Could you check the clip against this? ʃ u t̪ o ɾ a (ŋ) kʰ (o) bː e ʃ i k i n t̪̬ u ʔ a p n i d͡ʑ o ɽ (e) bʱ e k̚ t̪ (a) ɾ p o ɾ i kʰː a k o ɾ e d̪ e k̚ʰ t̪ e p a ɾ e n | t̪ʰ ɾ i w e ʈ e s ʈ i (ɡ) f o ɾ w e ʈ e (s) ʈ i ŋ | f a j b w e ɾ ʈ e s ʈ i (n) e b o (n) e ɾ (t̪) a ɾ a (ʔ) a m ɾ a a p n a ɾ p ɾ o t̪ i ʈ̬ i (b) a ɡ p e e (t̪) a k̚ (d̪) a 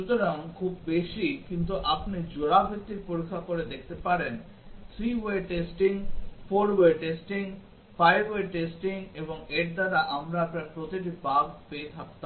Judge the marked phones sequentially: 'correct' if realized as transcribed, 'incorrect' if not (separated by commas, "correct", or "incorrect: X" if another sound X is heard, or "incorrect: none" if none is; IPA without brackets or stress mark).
correct, incorrect: u, incorrect: a, incorrect: i, incorrect: ŋ, correct, incorrect: ŋ, incorrect: ŋ, incorrect: d̪, correct, correct, incorrect: t̪ʰ, incorrect: t̪